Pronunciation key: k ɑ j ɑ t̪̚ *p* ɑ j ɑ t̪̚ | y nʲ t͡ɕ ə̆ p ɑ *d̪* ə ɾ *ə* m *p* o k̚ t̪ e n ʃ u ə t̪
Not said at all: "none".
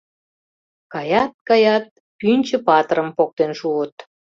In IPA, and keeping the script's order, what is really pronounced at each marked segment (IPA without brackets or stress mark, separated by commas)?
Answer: k, t̪, ə, p